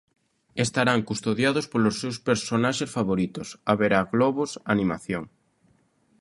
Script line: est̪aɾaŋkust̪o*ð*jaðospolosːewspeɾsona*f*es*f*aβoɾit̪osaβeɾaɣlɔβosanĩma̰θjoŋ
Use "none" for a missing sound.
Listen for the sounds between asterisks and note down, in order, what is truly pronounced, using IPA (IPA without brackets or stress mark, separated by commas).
ð, ʃ, f